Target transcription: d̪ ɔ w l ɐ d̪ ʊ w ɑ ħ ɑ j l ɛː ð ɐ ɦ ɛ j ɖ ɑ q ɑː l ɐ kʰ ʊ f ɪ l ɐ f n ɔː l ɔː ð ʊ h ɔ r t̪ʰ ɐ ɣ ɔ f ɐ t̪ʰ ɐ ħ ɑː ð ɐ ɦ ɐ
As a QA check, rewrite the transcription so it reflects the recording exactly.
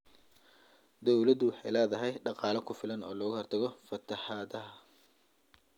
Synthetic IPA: d̪ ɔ w l ɐ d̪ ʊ w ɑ ħ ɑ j l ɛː ð ɐ ɦ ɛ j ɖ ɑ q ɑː l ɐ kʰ ʊ f ɪ l ɐ n ɔː l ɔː ɣ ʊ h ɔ r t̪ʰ ɐ ɣ ɔ f ɐ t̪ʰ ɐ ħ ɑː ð ɐ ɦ ɐ